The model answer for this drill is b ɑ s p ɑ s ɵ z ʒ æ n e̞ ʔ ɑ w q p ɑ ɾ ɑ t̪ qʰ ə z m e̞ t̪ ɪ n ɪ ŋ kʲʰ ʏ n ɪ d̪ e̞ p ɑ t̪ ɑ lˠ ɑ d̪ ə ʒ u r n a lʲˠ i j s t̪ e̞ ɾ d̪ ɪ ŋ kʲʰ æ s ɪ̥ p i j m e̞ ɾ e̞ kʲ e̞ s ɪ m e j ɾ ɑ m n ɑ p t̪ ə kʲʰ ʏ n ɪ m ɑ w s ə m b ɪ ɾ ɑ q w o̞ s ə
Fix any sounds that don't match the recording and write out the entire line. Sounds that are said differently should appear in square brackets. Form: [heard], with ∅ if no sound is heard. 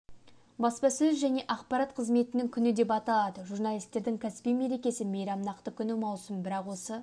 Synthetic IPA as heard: b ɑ s p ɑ s ɵ z ʒ æ n e̞ ʔ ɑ [∅] q p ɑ ɾ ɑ t̪ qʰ ə z m e̞ t̪ ɪ n ɪ ŋ kʲʰ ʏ n ɪ d̪ e̞ p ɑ t̪ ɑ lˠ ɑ d̪ ə ʒ u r n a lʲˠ i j s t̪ e̞ ɾ d̪ ɪ ŋ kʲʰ æ s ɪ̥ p i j m e̞ ɾ e̞ kʲ e̞ s ɪ m e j ɾ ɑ m n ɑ [q] t̪ ə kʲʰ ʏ n ɪ m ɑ w s ə m b ɪ ɾ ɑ q w o̞ s ə